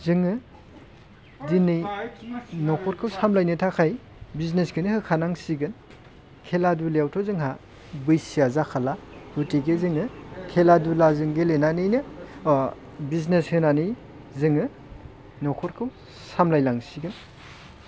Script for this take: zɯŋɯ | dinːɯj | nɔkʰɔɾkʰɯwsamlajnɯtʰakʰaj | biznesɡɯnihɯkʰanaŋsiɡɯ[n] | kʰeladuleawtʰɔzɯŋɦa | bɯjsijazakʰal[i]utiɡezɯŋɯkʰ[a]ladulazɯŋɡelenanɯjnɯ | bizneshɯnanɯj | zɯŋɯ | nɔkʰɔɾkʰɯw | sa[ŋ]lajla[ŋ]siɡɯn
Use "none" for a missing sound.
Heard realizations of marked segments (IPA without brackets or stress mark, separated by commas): n, a, e, m, ŋ